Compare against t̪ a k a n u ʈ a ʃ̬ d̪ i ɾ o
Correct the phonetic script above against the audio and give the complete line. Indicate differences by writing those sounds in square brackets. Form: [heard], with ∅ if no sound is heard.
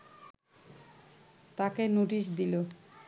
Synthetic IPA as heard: t̪ a k [e] n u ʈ [i] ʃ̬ d̪ i [l] o